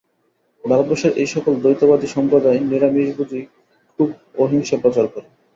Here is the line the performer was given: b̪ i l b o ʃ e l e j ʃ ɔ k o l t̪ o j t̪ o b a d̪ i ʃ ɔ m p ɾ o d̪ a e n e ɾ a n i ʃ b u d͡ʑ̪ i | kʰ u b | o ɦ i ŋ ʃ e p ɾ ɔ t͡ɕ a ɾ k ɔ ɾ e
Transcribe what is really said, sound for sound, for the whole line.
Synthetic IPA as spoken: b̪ a l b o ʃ e ɾ e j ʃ ɔ k o l d̪ o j t̪ o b a d̪ i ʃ ɔ m p ɾ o d̪ a e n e ɾ a m i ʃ b u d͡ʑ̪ i | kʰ u b | o ɦ i ŋ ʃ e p ɾ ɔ t͡ɕ a ɾ k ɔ ɾ e